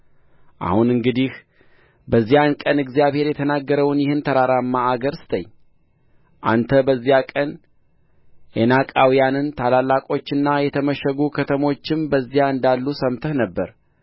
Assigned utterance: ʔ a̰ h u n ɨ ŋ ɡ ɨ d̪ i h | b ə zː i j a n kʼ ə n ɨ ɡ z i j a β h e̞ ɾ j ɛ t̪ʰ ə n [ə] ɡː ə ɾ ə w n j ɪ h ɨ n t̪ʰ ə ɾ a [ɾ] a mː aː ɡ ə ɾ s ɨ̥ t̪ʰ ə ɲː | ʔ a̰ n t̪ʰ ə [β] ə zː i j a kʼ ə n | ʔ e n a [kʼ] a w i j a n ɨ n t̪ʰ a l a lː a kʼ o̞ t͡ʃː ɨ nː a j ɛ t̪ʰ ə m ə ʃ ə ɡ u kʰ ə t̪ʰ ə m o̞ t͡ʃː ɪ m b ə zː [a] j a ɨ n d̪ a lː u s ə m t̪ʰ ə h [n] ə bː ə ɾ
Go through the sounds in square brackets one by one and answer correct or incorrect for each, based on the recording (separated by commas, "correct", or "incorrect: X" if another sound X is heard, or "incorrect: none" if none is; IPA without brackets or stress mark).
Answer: incorrect: a, correct, incorrect: b, correct, incorrect: i, correct